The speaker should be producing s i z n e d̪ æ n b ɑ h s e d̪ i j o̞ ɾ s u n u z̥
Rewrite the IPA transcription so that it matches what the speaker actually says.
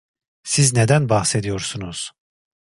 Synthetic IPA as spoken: s i z n e d̪ æ n b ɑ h s e d̪ i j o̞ ɾ s u n u z̥